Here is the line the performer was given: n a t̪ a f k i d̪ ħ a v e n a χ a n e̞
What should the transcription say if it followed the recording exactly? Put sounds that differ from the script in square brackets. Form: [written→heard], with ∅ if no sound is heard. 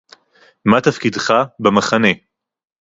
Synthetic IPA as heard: [n→m] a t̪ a f k i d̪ [ħ→χ] a [v→b] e [n→m] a χ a n e̞